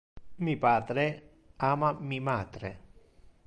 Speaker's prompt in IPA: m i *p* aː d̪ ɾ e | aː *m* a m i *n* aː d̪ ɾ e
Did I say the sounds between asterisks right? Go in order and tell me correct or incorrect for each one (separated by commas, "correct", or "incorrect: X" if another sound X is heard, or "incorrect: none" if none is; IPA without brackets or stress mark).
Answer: correct, correct, incorrect: m